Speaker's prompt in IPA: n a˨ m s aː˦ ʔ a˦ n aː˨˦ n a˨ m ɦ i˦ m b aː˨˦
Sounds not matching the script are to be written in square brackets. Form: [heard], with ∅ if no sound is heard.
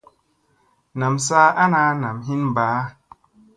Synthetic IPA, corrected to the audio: n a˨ m s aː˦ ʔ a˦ n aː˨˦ n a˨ m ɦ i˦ [n] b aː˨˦

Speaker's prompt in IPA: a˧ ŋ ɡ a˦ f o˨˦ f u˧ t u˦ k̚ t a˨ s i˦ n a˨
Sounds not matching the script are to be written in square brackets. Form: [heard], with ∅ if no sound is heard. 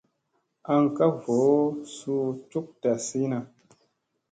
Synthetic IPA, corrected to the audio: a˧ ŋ [k] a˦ [v] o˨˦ [s] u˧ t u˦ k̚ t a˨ s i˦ n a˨

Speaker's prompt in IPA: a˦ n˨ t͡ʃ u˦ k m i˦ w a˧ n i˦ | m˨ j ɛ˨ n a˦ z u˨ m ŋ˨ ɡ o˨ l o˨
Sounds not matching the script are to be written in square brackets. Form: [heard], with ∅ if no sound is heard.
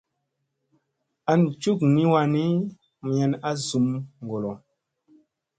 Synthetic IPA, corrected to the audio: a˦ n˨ t͡ʃ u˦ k [n] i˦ w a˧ n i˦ | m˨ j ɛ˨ n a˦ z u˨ m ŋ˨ ɡ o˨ l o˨

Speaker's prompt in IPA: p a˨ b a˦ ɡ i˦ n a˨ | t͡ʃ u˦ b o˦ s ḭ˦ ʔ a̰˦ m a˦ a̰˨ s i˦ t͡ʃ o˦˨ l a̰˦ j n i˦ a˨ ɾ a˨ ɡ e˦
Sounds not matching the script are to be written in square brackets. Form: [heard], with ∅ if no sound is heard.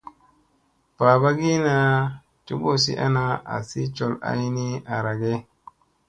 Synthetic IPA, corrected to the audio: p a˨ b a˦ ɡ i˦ n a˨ | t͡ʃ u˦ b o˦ s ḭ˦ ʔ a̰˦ [n] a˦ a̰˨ s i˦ t͡ʃ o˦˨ l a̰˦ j n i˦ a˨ ɾ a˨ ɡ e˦

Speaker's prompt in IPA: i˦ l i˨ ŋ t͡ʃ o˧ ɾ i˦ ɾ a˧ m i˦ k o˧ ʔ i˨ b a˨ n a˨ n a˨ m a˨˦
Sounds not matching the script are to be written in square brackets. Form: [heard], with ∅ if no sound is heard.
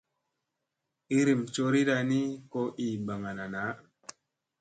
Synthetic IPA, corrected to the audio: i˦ [ɾ] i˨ [m] t͡ʃ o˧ ɾ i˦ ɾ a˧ [n] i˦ k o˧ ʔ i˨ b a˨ [ŋ] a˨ n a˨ [n] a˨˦

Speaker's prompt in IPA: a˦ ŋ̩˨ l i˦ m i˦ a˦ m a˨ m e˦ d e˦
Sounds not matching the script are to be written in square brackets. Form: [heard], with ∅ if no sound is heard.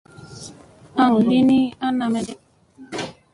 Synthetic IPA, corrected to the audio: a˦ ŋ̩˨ l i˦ [n] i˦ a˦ [n] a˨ m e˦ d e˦

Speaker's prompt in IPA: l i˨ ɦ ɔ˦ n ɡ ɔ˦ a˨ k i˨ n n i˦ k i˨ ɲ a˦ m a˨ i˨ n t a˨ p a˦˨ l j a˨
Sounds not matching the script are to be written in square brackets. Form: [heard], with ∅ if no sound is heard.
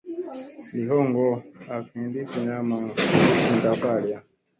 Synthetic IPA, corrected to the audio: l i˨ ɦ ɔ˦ [ŋ] ɡ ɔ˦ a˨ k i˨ n [d] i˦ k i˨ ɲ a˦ m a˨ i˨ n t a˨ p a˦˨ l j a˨

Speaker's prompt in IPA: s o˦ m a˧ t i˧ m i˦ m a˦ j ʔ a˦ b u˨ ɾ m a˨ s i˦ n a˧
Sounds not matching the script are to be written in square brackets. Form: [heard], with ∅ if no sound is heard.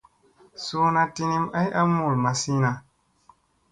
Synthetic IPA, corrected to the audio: s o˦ [n] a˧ t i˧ [n] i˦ m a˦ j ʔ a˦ [m] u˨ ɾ m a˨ s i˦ n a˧

